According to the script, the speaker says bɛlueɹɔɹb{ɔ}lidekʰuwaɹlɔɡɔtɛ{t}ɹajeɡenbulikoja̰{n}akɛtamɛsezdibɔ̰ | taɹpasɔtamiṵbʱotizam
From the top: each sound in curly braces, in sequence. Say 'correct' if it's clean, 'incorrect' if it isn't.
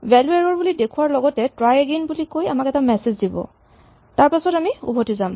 incorrect: u, correct, incorrect: m

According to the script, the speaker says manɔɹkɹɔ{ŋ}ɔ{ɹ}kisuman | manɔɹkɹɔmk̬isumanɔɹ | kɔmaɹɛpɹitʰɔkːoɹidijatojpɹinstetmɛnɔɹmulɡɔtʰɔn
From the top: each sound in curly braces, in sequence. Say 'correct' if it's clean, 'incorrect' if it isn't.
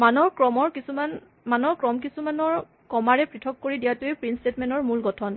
incorrect: m, correct

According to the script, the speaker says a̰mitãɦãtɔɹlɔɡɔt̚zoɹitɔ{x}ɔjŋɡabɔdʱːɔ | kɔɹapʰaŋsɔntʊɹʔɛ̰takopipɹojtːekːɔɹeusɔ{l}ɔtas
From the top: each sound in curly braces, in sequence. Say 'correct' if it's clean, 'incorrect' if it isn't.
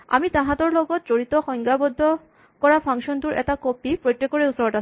correct, incorrect: ɹ

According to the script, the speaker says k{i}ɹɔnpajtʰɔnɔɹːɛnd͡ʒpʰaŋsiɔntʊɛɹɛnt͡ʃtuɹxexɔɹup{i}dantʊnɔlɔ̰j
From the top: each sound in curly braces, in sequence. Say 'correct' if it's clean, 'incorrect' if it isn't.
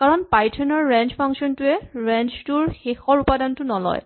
incorrect: a, incorrect: a

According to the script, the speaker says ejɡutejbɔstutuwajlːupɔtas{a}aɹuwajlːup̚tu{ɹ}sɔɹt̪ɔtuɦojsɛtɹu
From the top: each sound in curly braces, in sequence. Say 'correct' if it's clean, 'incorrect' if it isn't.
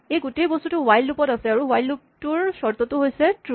incorrect: ɛ, correct

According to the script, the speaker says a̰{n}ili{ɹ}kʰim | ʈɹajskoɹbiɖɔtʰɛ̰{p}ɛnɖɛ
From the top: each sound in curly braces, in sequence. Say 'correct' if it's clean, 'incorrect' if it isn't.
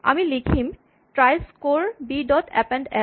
incorrect: m, incorrect: none, correct

